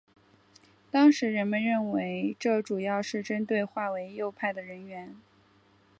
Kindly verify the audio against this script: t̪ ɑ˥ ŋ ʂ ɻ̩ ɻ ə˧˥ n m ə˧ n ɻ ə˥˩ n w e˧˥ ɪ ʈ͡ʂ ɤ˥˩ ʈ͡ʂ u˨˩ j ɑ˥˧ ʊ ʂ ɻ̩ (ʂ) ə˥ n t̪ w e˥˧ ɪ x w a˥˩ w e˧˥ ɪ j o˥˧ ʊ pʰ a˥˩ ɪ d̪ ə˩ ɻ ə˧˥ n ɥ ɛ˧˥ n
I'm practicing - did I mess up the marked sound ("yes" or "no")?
yes